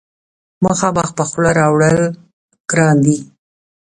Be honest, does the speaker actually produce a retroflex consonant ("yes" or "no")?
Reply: yes